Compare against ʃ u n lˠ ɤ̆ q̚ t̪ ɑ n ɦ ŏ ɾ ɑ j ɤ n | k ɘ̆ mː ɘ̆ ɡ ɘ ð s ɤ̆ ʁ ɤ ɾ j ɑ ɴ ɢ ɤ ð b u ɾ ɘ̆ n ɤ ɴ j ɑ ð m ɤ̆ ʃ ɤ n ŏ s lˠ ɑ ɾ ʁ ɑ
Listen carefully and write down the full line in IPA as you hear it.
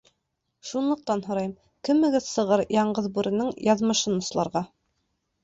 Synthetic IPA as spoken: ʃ u n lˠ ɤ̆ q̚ t̪ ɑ n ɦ ŏ ɾ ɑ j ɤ m | k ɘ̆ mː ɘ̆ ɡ ɘ ð s ɤ̆ ʁ ɤ ɾ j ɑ ɴ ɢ ɤ ð b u ɾ ɘ̆ n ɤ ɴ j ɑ ð m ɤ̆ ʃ ɤ n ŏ s lˠ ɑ ɾ ʁ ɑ